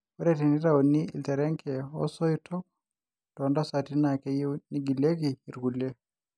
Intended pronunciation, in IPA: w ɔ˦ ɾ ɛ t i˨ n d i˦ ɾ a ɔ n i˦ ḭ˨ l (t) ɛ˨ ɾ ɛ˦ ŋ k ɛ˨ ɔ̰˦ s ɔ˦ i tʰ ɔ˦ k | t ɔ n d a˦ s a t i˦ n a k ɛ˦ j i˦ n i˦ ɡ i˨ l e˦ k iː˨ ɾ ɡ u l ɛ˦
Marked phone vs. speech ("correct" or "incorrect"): correct